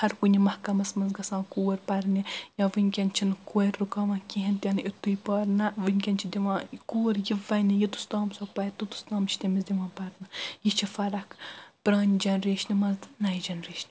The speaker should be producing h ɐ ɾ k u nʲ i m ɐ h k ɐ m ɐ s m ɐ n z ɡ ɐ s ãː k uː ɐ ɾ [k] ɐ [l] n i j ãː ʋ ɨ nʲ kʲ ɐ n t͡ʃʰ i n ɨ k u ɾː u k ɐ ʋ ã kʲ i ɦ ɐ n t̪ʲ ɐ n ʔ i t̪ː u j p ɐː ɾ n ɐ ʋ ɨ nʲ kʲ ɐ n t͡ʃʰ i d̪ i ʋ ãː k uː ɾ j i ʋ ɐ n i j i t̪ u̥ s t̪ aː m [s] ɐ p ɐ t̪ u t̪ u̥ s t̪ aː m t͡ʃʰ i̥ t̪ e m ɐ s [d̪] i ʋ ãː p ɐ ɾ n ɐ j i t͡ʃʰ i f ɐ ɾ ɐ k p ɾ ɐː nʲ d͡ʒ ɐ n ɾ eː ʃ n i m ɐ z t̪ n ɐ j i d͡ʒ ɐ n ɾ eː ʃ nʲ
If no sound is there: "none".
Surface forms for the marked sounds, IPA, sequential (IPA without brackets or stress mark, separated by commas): p, ɾ, s, d̪